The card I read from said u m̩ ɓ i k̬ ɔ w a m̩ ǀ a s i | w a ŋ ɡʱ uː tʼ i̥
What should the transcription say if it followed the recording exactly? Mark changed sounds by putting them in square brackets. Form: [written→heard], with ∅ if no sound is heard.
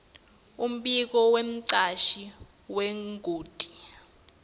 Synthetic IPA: u m̩ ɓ i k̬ ɔ w [a→e] m̩ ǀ a [s→ʃ] i | w [a→e] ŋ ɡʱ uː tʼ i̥